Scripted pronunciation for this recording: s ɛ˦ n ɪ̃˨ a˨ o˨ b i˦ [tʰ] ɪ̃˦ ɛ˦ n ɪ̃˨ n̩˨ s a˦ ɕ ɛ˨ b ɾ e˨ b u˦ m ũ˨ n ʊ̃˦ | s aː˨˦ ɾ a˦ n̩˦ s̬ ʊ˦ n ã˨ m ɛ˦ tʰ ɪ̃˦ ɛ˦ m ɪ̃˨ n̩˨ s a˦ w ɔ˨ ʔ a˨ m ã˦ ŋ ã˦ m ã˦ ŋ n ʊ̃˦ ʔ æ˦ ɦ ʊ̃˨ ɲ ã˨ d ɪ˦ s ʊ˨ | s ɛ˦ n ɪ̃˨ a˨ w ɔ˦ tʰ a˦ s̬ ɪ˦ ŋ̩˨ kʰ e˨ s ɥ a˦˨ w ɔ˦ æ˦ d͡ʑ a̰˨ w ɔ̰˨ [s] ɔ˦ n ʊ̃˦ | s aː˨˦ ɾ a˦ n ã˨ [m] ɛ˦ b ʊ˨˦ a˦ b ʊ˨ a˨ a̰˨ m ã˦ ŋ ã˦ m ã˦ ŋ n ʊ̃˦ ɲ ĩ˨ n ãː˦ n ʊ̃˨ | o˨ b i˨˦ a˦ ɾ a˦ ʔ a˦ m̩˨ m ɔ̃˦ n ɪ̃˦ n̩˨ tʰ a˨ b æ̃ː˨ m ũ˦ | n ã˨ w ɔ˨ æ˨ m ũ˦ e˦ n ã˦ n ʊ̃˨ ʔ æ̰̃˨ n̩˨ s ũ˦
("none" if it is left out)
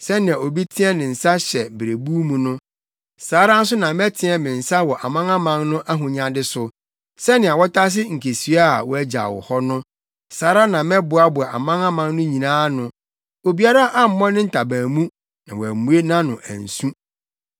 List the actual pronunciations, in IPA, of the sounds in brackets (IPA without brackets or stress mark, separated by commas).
tʰ, h, m